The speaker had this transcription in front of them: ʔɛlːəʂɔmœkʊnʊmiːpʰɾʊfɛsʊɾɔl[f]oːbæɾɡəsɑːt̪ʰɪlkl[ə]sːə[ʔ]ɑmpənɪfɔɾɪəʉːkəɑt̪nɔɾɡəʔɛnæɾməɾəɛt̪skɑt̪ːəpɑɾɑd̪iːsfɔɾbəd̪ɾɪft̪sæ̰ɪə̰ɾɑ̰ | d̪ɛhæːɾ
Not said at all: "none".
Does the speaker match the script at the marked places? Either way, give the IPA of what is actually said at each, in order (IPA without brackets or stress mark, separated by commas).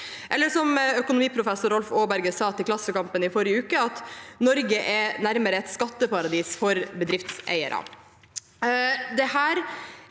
f, ɑ, k